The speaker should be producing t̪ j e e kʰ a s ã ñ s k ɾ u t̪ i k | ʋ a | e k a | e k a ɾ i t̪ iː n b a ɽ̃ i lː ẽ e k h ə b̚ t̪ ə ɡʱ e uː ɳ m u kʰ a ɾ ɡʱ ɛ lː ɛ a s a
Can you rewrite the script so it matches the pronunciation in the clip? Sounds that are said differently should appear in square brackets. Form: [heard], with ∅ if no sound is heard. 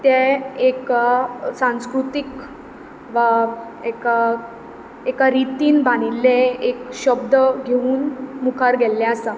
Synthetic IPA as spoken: t̪ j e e [k] a s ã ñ s k ɾ u t̪ i k | ʋ a | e k a | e k a ɾ i t̪ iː n b a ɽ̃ i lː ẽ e k [ɕ] ə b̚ [d̪] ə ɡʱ e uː [n] m u kʰ a ɾ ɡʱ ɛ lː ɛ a s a